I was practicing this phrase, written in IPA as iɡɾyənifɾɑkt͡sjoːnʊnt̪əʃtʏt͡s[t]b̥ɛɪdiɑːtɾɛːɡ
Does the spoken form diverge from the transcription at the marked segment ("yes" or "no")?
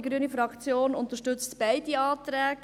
no